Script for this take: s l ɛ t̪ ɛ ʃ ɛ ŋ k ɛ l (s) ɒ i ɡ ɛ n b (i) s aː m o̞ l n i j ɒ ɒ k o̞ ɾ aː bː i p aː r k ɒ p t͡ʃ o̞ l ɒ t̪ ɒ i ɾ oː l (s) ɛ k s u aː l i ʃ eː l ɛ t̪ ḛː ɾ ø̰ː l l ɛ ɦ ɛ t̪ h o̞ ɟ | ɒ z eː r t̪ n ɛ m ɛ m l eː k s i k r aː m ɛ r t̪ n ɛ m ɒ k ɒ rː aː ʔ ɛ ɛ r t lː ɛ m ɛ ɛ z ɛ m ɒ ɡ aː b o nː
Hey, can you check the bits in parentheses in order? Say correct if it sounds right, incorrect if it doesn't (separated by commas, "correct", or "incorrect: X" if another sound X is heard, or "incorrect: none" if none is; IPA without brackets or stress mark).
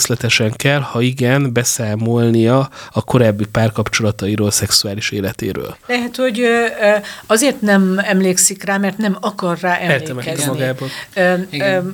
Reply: incorrect: h, incorrect: ɛ, correct